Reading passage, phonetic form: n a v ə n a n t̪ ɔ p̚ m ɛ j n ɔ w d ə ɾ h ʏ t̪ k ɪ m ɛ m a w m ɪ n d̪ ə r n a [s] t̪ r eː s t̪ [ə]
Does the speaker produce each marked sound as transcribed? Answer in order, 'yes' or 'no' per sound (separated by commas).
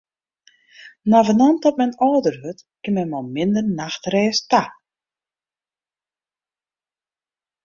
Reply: no, no